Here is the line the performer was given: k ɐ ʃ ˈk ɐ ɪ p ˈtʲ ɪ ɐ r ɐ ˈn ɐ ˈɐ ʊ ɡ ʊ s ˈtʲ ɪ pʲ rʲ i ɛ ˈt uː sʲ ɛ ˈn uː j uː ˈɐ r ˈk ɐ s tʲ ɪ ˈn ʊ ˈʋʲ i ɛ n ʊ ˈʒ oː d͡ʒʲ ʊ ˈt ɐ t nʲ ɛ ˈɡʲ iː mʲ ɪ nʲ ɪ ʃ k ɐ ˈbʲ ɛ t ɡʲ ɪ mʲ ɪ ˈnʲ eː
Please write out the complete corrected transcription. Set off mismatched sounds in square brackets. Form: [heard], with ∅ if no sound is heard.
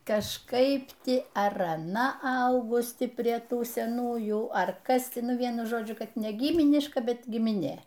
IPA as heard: k ɐ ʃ ˈk ɐ ɪ p ˈtʲ ɪ ɐ r ɐ ˈn ɐ ˈɐ ʊ ɡ ʊ s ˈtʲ ɪ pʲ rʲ i ɛ ˈt uː sʲ ɛ ˈn uː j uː ˈɐ r ˈk ɐ s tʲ ɪ ˈn ʊ ˈʋʲ i ɛ n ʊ ˈʒ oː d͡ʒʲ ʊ [ˈk] ɐ t nʲ ɛ ˈɡʲ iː mʲ ɪ nʲ ɪ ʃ k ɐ ˈbʲ ɛ t ɡʲ ɪ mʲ ɪ ˈnʲ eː